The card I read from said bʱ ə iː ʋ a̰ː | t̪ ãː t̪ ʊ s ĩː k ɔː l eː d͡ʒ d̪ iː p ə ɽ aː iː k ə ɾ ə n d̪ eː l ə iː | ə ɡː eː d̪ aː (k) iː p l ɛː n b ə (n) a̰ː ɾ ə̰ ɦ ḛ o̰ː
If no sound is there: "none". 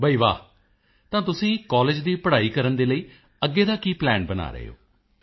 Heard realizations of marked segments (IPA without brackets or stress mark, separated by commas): k, n